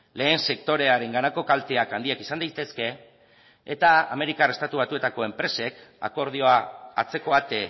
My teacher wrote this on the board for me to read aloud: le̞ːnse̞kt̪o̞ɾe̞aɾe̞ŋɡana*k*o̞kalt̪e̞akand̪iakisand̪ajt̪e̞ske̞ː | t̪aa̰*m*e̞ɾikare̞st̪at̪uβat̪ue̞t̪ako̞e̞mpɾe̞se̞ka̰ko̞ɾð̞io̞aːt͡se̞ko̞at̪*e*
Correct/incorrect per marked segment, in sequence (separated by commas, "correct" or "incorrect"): correct, correct, correct